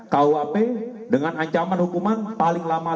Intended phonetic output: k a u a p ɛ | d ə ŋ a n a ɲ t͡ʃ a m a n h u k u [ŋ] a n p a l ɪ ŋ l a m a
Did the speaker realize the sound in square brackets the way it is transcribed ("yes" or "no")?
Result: no